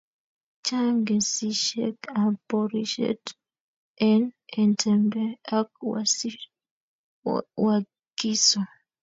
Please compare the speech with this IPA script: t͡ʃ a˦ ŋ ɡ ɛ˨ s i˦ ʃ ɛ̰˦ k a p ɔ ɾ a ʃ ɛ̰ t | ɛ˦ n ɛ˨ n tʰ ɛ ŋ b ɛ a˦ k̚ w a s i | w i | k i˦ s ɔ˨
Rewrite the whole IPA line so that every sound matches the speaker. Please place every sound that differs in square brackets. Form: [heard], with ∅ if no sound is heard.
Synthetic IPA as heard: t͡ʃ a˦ ŋ ɡ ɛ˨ s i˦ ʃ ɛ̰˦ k a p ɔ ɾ [i] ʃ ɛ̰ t | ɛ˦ n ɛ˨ n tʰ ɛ [m] b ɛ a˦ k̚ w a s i | w [a] | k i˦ s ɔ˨

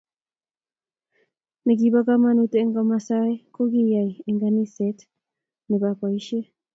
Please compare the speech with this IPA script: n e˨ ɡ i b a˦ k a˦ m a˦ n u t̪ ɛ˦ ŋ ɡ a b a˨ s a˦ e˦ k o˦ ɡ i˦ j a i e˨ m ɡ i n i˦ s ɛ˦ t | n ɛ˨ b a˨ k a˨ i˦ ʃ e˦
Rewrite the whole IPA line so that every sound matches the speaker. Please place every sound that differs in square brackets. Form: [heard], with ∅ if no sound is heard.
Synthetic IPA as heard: n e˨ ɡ i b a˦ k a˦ m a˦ n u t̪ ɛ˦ ŋ ɡ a [m] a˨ s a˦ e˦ k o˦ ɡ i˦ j a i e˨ [ŋ] ɡ [a] n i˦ s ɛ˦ t | n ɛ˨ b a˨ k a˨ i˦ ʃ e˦

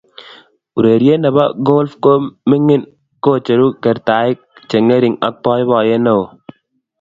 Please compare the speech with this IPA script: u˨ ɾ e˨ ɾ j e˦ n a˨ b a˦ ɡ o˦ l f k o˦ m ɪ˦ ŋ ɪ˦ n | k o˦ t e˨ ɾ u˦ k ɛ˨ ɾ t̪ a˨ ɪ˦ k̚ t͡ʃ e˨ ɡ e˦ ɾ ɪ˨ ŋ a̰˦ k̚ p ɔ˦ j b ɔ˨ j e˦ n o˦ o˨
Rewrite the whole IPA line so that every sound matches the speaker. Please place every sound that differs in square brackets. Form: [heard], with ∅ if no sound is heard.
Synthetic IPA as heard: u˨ ɾ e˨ ɾ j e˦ n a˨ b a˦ ɡ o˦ l f k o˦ m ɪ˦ ŋ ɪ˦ n | k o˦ [t͡ʃ] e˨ ɾ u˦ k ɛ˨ ɾ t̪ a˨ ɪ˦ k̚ t͡ʃ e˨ [ŋ] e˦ ɾ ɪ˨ ŋ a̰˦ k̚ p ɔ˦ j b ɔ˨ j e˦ n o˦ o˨

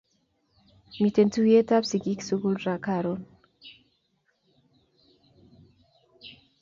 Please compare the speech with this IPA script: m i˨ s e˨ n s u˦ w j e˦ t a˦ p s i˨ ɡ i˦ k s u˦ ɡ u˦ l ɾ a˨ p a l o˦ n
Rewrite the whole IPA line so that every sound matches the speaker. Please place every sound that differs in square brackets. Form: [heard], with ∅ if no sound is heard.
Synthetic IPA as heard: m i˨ [t] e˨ n [t] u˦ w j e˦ t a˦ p s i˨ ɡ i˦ k s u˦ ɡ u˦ l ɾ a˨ [k] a [ɾ] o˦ n

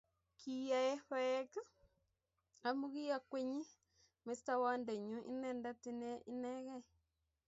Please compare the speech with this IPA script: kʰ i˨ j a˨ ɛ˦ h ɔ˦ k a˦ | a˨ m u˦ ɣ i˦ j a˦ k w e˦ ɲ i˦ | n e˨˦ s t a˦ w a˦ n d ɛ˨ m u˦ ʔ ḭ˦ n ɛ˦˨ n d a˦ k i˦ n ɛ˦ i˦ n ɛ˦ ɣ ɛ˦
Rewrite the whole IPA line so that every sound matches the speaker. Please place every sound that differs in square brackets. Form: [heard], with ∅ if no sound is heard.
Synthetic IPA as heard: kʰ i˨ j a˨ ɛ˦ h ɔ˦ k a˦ | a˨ m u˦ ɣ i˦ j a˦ k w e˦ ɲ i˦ | [m] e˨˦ s t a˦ w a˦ n d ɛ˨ [ɲ] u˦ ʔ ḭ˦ n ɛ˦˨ n d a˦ [t] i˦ n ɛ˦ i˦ n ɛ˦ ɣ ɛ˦

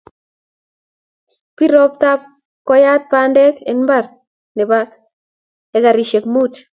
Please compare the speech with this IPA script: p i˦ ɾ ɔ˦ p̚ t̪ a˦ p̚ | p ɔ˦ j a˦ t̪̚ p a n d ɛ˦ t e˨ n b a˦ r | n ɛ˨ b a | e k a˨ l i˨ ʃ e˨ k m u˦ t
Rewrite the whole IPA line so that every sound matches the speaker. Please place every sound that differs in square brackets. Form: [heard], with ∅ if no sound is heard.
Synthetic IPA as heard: p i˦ ɾ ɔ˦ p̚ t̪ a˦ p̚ | [k] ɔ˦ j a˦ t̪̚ p a n d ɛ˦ [k] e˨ n b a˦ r | n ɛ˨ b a | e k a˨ [ɾ] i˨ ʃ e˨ k m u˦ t

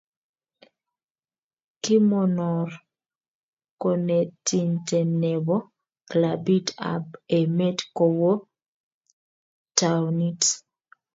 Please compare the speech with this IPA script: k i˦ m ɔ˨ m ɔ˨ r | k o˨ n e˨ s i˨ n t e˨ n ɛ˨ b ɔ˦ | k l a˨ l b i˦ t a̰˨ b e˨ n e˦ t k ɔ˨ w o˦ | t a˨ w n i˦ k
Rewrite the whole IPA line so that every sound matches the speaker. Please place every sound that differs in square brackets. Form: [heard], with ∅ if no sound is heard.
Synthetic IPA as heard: k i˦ m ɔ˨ [n] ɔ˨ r | k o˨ n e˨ [t] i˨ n t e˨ n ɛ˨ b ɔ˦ | k l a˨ [∅] b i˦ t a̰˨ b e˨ [m] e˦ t k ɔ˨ w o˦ | t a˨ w n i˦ [t]

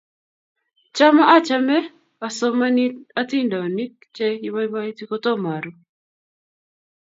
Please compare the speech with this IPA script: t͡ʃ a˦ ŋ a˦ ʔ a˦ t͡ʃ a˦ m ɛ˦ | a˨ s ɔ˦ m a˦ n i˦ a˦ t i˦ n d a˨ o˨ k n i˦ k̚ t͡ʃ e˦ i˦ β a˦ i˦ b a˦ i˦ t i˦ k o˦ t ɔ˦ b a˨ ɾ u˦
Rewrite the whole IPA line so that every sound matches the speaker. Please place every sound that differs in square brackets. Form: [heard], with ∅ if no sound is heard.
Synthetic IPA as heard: t͡ʃ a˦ [m] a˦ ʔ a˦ t͡ʃ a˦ m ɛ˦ | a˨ s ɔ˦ m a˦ n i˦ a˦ t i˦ n d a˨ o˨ [∅] n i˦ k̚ t͡ʃ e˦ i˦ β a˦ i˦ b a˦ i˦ t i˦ k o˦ t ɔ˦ [m] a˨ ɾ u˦

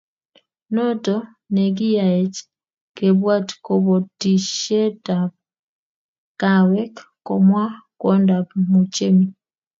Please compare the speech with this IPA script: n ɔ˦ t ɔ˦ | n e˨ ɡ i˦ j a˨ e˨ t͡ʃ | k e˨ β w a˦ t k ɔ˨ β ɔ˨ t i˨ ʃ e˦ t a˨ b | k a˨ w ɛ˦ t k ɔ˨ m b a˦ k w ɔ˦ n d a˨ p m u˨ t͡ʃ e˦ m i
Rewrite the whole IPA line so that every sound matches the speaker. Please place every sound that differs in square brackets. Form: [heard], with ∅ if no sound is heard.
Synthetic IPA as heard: n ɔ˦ t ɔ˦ | n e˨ ɡ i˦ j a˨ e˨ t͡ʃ | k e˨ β w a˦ t k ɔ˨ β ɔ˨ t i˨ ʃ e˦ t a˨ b | k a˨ w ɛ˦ [k] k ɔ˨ m [w] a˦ k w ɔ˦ n d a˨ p m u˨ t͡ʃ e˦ m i

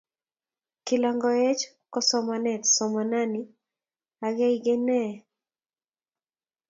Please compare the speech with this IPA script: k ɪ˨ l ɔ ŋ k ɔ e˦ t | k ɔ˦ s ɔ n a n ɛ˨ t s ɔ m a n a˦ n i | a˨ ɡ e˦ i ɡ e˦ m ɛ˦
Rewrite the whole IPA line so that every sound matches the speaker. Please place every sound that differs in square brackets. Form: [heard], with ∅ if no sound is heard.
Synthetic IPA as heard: k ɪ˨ l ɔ ŋ [ɡ] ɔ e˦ [t͡ʃ] | k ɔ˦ s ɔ [m] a n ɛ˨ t s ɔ m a n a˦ n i | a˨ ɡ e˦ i ɡ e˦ [n] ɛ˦

